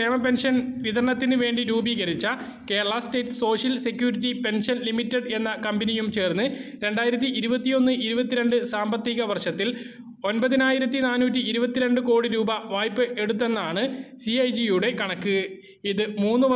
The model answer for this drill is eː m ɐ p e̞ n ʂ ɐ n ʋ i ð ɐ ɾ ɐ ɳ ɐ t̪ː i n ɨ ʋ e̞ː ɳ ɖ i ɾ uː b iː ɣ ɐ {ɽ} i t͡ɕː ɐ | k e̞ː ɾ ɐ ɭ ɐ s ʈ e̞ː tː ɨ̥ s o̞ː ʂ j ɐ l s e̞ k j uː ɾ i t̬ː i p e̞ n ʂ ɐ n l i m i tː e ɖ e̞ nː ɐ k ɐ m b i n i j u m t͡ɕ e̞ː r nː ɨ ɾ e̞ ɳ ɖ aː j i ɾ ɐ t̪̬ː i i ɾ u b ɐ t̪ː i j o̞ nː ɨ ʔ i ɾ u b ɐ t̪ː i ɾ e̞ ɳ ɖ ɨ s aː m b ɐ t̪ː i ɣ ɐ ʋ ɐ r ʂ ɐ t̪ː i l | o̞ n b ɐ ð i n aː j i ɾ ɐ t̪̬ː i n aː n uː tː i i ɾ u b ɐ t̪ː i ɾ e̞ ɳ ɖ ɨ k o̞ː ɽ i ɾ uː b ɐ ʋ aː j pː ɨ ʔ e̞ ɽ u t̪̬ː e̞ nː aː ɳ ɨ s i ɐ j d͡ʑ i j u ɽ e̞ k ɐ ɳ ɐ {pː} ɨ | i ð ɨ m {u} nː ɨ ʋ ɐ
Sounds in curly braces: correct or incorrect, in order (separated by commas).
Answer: incorrect, incorrect, incorrect